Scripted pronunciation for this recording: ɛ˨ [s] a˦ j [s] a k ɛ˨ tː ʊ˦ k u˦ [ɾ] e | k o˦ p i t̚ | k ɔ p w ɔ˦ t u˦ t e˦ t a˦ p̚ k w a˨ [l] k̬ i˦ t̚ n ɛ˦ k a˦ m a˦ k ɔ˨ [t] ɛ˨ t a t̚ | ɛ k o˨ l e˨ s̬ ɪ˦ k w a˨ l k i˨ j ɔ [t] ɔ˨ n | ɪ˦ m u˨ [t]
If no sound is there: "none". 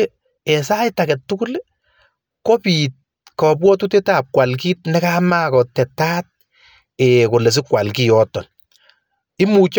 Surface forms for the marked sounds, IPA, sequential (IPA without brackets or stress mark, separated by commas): s, t, l, l, t, t, t͡ʃ